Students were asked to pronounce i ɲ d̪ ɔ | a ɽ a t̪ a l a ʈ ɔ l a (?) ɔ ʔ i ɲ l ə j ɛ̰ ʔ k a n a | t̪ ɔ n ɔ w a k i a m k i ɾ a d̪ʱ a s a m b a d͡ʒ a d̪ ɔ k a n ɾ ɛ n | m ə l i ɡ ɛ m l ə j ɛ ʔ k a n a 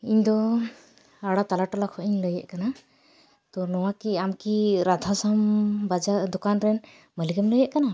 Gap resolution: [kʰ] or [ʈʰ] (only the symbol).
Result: kʰ